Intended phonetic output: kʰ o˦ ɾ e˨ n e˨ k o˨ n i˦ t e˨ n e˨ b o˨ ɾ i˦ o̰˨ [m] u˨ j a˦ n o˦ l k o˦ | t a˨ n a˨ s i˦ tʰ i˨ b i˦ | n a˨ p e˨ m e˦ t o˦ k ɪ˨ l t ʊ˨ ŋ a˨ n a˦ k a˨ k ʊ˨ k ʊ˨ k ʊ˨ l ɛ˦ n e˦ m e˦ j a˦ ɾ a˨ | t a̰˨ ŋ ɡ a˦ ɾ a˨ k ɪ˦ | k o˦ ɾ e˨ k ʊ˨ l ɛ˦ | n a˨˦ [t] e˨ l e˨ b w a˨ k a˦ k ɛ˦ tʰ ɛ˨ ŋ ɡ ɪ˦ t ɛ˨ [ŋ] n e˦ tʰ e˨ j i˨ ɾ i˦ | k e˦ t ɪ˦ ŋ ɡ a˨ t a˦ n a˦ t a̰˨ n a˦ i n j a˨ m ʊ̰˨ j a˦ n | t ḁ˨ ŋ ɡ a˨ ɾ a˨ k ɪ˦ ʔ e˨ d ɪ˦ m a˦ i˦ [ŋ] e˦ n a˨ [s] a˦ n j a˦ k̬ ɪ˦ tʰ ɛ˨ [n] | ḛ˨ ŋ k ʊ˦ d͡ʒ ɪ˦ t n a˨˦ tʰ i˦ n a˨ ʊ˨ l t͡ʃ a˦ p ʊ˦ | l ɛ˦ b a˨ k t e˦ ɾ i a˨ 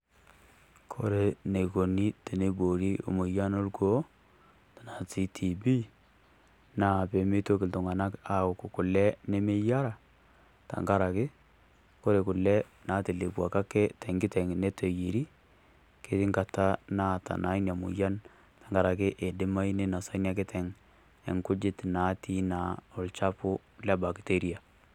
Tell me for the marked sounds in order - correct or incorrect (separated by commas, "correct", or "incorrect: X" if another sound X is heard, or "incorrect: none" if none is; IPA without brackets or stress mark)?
correct, correct, correct, incorrect: n, correct, incorrect: ŋ